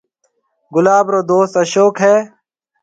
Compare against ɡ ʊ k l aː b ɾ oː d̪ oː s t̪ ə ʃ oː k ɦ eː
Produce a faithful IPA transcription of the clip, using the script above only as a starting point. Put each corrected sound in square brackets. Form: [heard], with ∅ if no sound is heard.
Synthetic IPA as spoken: ɡ ʊ [∅] l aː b ɾ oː d̪ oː s t̪ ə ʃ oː k ɦ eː